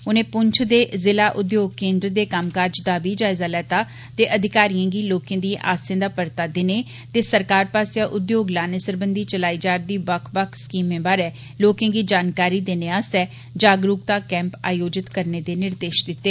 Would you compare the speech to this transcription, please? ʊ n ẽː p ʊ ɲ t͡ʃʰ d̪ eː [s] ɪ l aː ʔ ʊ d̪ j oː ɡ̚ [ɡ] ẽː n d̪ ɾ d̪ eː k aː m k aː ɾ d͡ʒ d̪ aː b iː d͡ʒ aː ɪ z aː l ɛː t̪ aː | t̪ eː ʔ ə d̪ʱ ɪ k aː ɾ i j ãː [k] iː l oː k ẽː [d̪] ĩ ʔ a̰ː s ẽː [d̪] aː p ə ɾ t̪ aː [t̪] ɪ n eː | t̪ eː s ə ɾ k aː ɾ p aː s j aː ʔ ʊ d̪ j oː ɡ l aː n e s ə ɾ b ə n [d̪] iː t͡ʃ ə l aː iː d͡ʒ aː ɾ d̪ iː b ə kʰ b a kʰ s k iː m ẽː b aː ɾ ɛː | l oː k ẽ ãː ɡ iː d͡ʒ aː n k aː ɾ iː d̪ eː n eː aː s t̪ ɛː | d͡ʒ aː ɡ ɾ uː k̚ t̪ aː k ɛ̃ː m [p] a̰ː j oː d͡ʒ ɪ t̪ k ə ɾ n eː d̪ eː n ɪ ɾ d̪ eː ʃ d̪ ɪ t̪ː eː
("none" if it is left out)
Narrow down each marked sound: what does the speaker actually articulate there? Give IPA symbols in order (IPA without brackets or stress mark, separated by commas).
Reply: z, k, ɡ, d̪, d̪, d̪, d̪, p